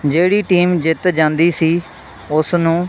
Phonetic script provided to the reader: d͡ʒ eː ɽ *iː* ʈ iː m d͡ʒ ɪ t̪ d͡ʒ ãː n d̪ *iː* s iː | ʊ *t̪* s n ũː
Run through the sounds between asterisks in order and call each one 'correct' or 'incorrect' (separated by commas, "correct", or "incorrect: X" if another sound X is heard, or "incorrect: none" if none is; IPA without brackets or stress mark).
correct, correct, incorrect: none